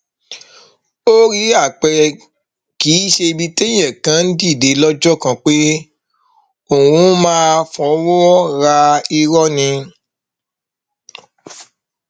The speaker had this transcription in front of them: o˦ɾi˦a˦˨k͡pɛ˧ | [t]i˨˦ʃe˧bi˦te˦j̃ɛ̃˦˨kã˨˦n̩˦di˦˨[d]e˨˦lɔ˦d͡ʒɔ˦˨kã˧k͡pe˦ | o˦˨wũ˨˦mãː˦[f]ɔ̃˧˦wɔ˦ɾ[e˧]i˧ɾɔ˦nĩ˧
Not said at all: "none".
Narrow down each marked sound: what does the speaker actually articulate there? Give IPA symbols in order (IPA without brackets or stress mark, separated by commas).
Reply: k, d, f, a˧